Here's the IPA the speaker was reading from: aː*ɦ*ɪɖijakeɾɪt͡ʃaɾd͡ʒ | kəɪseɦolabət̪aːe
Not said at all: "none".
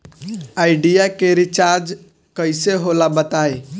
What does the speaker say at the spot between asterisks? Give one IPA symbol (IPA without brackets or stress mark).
none